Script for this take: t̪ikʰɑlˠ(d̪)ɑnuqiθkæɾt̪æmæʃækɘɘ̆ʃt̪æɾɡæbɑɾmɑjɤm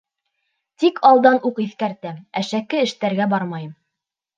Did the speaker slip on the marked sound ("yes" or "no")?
no